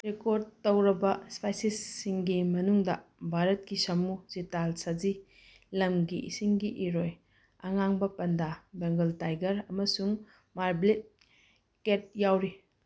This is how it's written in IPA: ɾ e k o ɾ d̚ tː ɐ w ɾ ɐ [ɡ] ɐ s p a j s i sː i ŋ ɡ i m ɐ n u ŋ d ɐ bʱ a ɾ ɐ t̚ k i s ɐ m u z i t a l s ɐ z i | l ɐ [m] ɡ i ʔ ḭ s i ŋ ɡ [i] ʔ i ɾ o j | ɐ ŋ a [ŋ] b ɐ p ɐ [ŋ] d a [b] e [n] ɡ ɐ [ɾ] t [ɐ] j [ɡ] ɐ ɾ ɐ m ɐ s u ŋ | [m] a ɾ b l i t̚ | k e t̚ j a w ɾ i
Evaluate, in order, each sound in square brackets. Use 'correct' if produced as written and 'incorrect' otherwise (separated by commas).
incorrect, correct, correct, correct, incorrect, correct, incorrect, incorrect, incorrect, correct, correct